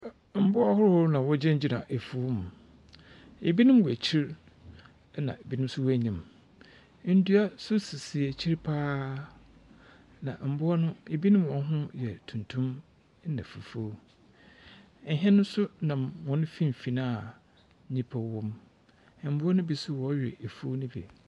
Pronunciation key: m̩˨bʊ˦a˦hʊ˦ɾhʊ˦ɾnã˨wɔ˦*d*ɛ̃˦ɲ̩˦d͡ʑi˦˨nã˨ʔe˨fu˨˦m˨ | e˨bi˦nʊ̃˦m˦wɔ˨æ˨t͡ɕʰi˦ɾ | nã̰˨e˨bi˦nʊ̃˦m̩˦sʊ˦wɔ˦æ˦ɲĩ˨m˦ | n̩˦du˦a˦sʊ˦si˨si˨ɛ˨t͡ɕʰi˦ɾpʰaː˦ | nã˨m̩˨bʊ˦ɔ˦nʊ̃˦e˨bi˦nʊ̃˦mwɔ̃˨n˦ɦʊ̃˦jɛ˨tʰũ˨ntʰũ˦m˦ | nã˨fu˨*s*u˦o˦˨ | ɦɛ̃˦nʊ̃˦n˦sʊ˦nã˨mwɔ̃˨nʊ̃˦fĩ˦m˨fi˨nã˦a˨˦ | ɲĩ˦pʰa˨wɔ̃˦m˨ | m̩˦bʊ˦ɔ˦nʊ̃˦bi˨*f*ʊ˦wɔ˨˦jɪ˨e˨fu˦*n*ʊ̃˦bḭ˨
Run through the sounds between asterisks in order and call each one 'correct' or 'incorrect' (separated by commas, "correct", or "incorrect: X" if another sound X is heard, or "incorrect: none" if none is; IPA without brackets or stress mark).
incorrect: d͡ʑ, incorrect: f, incorrect: s, correct